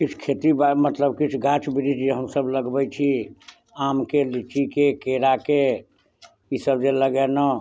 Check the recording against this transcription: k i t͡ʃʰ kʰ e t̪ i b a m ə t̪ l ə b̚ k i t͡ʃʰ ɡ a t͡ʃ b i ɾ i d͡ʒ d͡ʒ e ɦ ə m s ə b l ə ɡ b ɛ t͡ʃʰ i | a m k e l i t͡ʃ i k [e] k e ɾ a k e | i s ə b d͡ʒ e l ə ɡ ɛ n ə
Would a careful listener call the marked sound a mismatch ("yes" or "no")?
no